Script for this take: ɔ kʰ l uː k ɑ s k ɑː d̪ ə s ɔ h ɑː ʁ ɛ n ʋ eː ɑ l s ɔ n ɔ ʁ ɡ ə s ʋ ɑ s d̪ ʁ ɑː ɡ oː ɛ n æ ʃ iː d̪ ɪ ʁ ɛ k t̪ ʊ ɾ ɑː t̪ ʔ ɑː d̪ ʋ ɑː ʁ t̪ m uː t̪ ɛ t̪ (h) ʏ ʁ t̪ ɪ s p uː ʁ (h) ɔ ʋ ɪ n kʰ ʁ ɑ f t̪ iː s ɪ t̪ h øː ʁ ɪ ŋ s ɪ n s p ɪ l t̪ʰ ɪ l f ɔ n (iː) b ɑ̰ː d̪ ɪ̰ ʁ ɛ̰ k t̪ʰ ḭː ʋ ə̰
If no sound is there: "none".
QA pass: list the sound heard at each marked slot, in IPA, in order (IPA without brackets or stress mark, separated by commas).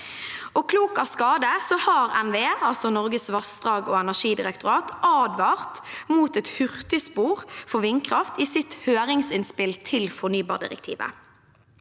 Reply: h, f, yː